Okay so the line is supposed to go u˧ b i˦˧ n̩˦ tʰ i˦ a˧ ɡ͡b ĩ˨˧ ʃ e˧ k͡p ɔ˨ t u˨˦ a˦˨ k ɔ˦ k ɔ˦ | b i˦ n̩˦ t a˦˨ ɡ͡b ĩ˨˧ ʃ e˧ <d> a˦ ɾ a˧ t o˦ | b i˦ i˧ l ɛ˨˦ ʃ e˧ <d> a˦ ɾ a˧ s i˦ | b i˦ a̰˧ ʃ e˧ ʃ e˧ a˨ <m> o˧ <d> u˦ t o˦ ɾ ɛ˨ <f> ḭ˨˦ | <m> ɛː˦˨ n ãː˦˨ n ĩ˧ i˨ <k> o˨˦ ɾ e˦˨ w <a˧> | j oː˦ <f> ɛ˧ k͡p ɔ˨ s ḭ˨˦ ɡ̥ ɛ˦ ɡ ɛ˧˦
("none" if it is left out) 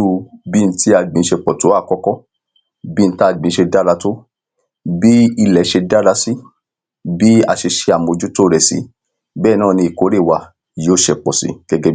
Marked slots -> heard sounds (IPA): d, d, m, d͡ʒ, s, b, k, a˧, ʃ

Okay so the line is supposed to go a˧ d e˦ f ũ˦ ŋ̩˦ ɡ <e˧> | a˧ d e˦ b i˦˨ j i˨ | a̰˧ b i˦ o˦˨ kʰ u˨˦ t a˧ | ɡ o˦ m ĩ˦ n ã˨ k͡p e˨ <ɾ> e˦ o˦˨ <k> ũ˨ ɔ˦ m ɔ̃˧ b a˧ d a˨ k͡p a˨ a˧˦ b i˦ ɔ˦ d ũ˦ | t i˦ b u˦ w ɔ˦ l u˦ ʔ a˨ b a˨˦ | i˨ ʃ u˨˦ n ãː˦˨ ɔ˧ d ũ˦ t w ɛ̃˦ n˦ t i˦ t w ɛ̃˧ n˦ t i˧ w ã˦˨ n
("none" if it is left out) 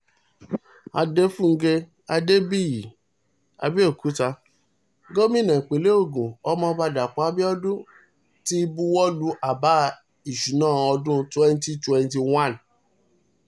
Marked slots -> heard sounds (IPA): e˧, l, ɡ

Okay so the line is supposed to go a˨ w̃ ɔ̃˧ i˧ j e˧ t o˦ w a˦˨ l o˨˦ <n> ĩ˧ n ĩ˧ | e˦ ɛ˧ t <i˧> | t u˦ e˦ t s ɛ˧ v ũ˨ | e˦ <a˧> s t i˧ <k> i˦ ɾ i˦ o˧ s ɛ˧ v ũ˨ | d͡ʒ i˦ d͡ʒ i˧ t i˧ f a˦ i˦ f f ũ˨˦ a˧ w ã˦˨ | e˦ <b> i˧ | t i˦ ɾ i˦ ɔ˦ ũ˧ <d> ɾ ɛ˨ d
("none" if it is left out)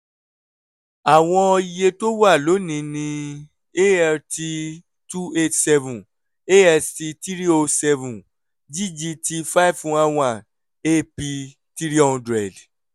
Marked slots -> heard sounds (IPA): n, i˧, ɛ˧, t, p, d

